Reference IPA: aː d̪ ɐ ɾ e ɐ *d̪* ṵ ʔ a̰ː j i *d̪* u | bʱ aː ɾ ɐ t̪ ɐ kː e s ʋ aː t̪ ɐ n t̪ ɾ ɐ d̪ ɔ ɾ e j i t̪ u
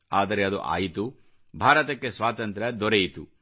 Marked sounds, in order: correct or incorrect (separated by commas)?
correct, incorrect